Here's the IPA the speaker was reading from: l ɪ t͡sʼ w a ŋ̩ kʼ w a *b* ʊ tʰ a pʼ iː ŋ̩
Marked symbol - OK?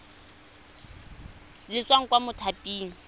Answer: no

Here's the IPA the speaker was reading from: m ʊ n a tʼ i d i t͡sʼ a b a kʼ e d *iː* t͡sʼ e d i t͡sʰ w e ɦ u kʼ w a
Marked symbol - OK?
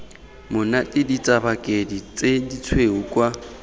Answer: no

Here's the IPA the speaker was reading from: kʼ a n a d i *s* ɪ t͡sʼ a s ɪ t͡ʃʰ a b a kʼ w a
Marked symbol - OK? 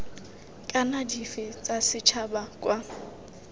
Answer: no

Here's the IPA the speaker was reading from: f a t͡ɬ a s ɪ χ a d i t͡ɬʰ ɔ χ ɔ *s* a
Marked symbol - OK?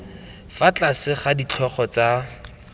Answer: no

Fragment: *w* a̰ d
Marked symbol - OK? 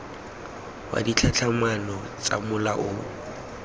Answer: yes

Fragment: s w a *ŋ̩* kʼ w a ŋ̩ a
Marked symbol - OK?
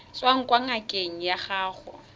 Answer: yes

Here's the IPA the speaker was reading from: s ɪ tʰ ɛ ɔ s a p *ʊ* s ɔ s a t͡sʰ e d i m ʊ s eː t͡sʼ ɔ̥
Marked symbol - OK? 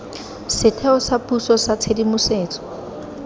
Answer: no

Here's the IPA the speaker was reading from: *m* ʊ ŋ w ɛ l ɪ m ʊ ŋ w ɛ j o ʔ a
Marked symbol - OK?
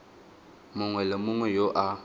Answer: yes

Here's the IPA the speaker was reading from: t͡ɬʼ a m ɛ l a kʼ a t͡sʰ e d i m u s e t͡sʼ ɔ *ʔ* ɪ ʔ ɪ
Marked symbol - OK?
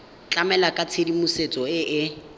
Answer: no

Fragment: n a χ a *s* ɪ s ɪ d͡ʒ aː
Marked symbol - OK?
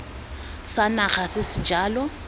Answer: yes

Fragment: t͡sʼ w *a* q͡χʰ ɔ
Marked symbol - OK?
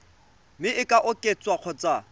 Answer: yes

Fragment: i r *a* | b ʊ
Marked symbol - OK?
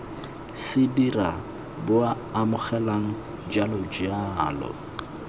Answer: yes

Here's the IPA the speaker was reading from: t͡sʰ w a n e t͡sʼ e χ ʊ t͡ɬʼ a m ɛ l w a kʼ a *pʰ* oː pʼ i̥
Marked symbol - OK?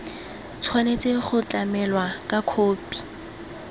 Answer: no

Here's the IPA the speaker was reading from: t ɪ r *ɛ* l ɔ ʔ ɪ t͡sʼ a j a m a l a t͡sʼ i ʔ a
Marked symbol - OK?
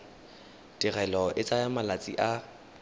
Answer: yes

